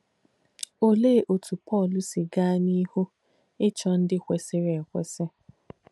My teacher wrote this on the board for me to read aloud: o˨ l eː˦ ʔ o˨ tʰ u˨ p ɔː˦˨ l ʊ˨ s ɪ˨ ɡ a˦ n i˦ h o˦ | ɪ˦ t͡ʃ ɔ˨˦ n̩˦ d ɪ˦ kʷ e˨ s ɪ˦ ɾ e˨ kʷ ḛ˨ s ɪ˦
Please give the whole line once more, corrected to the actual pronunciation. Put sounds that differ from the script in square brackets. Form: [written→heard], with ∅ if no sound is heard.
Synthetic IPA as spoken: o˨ l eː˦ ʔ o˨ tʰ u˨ p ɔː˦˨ l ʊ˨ s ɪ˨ ɡ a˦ n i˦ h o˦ | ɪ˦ t͡ʃ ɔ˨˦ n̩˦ d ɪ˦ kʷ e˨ s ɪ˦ ɾ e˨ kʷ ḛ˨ s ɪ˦